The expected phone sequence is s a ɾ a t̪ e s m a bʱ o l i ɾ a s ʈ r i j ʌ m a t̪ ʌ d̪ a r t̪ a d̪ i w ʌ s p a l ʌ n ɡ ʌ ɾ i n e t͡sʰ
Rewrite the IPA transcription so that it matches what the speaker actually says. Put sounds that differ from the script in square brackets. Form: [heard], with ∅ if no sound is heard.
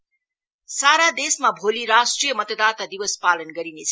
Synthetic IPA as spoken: s a ɾ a [d̪] e s m a bʱ o l i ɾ a s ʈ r i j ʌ m [ʌ] t̪ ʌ d̪ a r t̪ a d̪ i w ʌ s p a l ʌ n ɡ ʌ ɾ i n e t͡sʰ